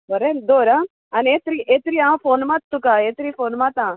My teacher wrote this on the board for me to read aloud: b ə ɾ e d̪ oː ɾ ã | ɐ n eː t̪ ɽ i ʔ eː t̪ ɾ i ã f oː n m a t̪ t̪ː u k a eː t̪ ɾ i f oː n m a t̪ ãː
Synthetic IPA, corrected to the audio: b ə ɾ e d̪ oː ɾ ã | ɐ n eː t̪ ɾ i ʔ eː t̪ ɾ i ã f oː n m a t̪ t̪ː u k a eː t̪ ɾ i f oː n m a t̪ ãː